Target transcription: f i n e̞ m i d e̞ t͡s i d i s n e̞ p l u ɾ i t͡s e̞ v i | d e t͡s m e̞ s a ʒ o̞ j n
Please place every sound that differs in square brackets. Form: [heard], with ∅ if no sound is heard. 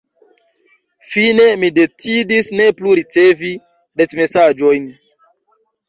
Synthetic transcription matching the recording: f i n e̞ m i d e̞ t͡s i d i s n e̞ p l u ɾ i t͡s e̞ v i | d e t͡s m e̞ s a [d͡ʒ] o̞ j n